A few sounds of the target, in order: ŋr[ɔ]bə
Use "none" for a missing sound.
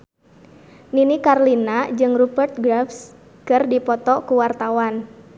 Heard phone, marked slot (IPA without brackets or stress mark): u